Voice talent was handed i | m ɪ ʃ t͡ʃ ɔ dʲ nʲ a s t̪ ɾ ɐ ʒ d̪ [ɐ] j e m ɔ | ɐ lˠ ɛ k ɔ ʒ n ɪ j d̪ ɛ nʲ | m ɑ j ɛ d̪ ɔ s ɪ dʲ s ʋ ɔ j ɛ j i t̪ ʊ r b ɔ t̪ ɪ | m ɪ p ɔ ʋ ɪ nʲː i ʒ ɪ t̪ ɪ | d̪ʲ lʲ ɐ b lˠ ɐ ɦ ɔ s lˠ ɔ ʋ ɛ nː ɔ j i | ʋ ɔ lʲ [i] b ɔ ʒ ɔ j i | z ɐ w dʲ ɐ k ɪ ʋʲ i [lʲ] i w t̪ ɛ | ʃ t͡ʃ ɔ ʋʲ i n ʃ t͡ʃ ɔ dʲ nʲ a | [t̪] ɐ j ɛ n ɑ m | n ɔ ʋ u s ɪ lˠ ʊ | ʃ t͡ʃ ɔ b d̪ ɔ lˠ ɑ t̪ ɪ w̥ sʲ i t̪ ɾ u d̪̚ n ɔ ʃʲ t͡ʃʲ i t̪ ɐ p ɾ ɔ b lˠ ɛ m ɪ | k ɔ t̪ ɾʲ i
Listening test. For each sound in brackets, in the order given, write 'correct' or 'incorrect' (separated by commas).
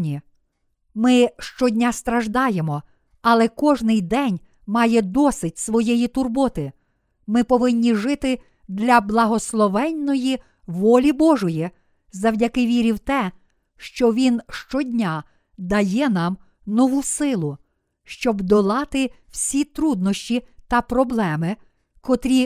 incorrect, correct, incorrect, incorrect